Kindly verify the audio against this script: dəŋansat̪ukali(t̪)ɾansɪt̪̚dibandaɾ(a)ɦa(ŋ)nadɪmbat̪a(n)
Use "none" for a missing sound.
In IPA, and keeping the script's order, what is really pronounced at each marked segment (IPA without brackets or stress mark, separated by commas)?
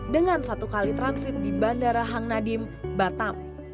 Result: t̪, a, ŋ, m